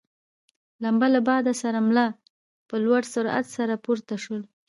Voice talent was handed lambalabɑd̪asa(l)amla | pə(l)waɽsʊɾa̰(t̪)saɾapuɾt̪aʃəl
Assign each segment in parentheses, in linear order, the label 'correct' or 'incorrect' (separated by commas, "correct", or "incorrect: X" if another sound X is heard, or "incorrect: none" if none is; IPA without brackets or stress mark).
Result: incorrect: ɾ, correct, correct